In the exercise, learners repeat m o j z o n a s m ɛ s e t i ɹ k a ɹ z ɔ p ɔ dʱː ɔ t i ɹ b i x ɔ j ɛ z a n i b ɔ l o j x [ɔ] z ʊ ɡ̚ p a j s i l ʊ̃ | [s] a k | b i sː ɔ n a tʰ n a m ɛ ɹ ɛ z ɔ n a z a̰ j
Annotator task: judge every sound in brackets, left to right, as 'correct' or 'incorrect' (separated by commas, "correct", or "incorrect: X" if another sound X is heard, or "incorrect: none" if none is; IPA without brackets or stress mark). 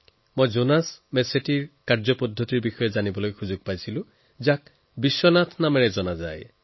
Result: incorrect: u, incorrect: z